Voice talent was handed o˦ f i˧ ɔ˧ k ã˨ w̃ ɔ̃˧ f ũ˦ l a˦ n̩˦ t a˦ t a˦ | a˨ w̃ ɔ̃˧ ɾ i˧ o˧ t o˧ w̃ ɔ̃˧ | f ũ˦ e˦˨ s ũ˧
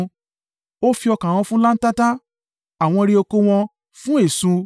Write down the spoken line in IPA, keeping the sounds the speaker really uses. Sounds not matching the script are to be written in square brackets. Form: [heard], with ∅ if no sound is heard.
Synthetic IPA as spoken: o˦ f i˧ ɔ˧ k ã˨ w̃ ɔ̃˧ f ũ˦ l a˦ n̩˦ t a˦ t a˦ | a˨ w̃ ɔ̃˧ ɾ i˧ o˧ [k] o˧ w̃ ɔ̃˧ | f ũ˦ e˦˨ s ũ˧